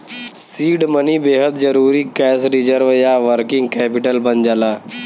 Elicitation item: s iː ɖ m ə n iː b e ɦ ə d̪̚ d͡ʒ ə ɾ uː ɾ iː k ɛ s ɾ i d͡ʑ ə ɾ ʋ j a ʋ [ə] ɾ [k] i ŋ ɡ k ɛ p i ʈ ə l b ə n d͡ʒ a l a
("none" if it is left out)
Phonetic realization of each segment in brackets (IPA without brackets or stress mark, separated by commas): ə, k